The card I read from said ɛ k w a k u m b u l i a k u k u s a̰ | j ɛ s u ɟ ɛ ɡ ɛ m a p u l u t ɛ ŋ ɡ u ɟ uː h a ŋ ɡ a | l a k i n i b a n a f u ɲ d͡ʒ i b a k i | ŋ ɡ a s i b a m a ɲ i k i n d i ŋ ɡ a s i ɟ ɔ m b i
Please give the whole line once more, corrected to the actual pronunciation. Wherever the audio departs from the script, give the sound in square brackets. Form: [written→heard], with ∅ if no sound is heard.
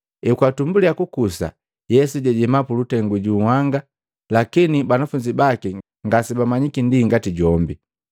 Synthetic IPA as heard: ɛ k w a [k→t] u m b u l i a k u k u s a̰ | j ɛ s u ɟ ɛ [ɡ→ɟ] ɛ m a p u l u t ɛ ŋ ɡ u ɟ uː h a ŋ ɡ a | l a k i n i b a n a f u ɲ d͡ʒ i b a k i | ŋ ɡ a s i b a m a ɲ i k i n d i ŋ ɡ a [s→t] i ɟ ɔ m b i